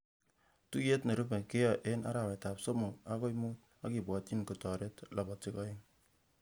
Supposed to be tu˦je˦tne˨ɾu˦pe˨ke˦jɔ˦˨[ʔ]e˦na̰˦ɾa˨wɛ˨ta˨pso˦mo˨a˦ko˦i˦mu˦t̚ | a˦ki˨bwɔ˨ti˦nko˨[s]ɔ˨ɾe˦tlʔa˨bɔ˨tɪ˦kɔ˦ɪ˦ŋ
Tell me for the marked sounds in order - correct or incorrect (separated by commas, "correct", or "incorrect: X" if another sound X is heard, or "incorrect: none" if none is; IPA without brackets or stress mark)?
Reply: correct, incorrect: t